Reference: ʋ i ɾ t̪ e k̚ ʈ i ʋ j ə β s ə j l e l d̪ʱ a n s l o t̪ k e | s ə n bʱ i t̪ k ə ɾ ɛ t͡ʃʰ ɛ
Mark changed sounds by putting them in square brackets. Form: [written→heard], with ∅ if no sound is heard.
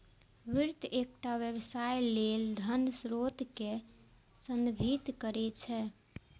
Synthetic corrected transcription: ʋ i ɾ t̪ e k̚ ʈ [i→a] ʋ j ə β s [ə→a] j l e l d̪ʱ [a→ə] n s [l→ɾ] o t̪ k e | s ə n bʱ i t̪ k ə ɾ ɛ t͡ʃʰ ɛ

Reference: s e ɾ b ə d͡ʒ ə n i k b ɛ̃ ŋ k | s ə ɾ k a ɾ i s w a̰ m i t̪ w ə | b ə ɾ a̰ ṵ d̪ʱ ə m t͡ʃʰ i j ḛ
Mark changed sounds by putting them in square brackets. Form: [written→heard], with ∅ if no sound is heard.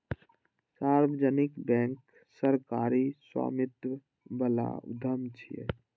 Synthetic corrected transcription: s [e→a] ɾ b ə d͡ʒ ə n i k b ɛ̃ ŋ k | s ə ɾ k a ɾ i s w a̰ m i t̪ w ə | b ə [ɾ→l] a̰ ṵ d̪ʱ ə m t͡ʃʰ i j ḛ

